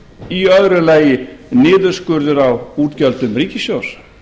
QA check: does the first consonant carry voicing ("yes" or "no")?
yes